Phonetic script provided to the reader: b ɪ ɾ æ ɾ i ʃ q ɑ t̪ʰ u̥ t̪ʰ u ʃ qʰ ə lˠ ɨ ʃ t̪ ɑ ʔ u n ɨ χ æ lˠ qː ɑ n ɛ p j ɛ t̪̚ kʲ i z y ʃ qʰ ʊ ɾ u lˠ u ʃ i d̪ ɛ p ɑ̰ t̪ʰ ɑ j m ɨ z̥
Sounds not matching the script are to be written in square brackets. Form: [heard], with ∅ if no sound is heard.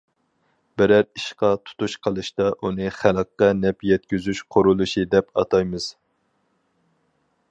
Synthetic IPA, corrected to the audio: b ɪ ɾ æ ɾ i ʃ q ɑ t̪ʰ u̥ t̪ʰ u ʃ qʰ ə lˠ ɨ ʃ t̪ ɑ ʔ u n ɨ χ æ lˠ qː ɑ n ɛ p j ɛ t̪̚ kʲ [y] z y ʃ qʰ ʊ ɾ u lˠ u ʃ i d̪ ɛ p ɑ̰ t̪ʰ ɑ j m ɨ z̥